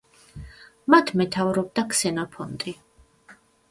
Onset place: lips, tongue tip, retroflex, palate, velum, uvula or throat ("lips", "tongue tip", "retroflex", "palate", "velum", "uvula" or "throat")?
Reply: lips